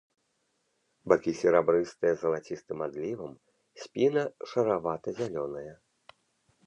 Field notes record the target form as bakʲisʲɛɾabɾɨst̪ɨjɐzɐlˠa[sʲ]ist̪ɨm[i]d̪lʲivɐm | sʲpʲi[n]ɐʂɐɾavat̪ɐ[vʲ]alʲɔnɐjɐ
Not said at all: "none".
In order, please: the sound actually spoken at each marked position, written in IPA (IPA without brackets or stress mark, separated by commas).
t͡sʲ, a, n, zʲ